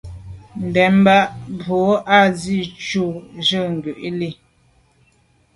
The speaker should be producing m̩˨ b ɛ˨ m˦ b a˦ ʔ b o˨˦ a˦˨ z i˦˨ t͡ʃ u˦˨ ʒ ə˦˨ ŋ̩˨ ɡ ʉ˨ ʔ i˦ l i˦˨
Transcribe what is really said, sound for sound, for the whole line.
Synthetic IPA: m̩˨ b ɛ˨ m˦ b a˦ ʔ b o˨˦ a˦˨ z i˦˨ t͡ʃ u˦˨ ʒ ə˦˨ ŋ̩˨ ɡ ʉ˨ ʔ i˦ l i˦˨